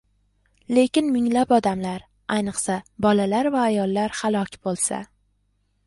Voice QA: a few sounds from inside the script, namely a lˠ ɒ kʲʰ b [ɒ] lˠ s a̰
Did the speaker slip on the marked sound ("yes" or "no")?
yes